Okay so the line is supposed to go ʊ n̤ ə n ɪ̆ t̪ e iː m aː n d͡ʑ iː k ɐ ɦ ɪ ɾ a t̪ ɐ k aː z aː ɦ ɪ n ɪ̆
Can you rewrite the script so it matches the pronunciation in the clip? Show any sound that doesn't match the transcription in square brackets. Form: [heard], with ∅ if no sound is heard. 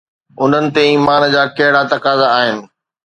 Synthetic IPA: ʊ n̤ ə n ɪ̆ t̪ e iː m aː n d͡ʑ [aː] k ɐ ɦ ɪ [ɽ] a t̪ ɐ k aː z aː ɦ ɪ n ɪ̆

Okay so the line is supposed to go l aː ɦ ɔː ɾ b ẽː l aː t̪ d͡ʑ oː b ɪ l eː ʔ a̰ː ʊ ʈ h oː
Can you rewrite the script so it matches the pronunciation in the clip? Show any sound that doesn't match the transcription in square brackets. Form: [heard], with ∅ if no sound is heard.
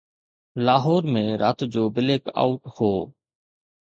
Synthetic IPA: l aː ɦ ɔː ɾ [m] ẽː [ɾ] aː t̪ d͡ʑ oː b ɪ l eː [k] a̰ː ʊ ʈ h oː

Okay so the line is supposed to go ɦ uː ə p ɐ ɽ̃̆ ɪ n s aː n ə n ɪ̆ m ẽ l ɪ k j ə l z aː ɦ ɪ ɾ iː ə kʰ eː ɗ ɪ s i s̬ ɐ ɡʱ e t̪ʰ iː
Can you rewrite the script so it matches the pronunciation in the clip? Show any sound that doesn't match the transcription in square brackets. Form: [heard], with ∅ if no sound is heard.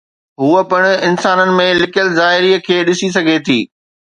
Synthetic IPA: ɦ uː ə p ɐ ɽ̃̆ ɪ n s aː n ə n ɪ̆ m ẽ l ɪ k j ə l z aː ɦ ɪ ɾ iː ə kʰ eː ɗ ɪ s i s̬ ɐ ɡʱ e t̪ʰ iː

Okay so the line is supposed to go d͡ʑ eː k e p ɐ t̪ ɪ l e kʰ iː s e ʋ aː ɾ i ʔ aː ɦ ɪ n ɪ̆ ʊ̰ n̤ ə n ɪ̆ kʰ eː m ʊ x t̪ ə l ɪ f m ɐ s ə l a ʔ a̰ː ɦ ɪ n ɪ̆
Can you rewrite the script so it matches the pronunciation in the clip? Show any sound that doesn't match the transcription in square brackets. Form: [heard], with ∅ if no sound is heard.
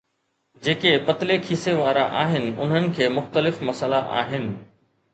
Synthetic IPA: d͡ʑ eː k e p ɐ t̪ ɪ l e kʰ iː s e ʋ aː ɾ [a] ʔ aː ɦ ɪ n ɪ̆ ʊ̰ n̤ ə n ɪ̆ kʰ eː m ʊ x t̪ ə l ɪ f m ɐ s ə l a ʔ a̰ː ɦ ɪ n ɪ̆

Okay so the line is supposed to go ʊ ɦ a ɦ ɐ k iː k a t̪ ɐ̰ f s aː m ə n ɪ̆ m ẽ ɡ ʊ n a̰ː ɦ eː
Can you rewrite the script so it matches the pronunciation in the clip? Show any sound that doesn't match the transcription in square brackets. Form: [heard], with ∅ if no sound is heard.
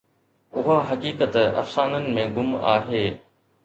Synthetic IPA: ʊ ɦ a ɦ ɐ k iː k [ə] t̪ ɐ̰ f s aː [n] ə n ɪ̆ m ẽ ɡ ʊ [m] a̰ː ɦ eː

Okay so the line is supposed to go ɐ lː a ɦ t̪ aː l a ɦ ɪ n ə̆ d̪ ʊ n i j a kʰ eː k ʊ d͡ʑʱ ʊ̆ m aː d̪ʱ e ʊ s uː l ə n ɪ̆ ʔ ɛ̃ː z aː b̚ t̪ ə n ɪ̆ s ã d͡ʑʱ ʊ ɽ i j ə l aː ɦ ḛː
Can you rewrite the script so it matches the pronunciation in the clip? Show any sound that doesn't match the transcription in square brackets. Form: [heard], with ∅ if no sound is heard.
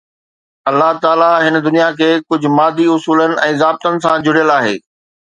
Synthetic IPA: ɐ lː a ɦ t̪ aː l a ɦ ɪ n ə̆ d̪ ʊ n i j a kʰ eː k ʊ d͡ʑʱ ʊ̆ m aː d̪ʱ [i] ʊ s uː l ə n ɪ̆ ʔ ɛ̃ː z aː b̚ t̪ ə n ɪ̆ s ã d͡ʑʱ ʊ ɽ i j ə l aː ɦ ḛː

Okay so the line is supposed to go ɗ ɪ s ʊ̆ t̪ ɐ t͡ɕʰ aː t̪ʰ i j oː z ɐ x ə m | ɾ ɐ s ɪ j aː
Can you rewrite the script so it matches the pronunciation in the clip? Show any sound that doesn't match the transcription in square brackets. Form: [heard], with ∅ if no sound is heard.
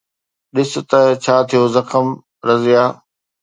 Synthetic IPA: ɗ ɪ s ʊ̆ t̪ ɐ t͡ɕʰ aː t̪ʰ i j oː z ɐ x ə m | ɾ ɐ [z] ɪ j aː

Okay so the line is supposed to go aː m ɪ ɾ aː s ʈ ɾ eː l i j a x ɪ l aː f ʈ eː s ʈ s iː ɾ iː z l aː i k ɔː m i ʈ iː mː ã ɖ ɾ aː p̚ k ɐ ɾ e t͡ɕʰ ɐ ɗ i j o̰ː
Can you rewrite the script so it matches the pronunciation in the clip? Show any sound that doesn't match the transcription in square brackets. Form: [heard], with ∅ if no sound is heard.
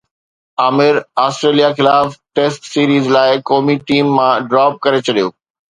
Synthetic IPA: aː m ɪ ɾ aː s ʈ ɾ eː l i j a x ɪ l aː f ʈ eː s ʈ s iː ɾ iː z l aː [ɪ] k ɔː m i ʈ iː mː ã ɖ ɾ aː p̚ k ɐ ɾ e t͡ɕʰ ɐ ɗ i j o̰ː

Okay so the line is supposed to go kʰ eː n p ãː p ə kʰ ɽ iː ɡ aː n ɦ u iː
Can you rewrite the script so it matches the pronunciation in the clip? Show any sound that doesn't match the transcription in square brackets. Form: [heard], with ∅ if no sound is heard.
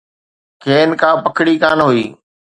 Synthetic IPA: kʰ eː n [k] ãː p ə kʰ ɽ iː [k] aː n ɦ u iː

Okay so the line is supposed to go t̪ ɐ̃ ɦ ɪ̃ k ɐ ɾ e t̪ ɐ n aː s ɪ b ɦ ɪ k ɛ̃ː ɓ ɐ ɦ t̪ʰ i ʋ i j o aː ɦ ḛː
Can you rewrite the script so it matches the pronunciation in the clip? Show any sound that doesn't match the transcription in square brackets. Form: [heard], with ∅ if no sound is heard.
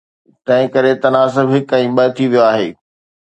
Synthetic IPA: t̪ ɐ̃ ɦ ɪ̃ k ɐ ɾ e t̪ ɐ n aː s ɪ b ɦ ɪ k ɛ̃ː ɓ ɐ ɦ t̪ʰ i ʋ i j o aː ɦ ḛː

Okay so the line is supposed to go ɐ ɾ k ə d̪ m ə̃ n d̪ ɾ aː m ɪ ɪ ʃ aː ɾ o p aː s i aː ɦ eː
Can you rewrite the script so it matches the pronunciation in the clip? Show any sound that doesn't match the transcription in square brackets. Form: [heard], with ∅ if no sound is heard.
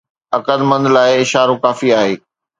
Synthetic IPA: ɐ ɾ k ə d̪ m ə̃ n d̪ [l] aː [∅] ɪ ɪ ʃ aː ɾ o [k] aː [f] i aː ɦ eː

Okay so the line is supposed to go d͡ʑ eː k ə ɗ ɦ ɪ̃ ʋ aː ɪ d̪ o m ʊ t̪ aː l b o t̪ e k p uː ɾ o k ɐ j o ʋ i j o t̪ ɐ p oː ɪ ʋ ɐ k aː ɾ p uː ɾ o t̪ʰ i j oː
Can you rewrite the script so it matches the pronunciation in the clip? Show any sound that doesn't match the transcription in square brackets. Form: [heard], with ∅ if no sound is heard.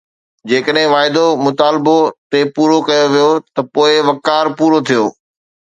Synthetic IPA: d͡ʑ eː k ə ɗ ɦ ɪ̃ ʋ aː ɪ d̪ o m ʊ t̪ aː l b o t̪ e [∅] p uː ɾ o k ɐ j o ʋ i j o t̪ ɐ p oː ɪ ʋ ɐ k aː ɾ p uː ɾ o t̪ʰ i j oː

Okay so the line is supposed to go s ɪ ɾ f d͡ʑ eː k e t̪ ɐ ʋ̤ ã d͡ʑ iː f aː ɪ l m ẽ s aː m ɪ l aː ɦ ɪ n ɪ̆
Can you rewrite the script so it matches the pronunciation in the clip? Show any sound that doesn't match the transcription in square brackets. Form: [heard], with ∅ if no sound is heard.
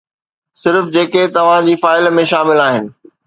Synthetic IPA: s ɪ ɾ f d͡ʑ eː k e t̪ ɐ ʋ̤ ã d͡ʑ iː f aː ɪ l m ẽ [ʃ] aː m ɪ l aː ɦ ɪ n ɪ̆

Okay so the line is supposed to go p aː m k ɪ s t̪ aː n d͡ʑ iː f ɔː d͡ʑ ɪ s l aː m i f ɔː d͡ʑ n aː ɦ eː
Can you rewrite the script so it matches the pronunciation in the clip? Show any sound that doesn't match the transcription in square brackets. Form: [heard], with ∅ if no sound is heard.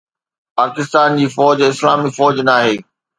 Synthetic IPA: p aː [∅] k ɪ s t̪ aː n d͡ʑ iː f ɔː d͡ʑ ɪ s l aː m i f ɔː d͡ʑ n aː ɦ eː

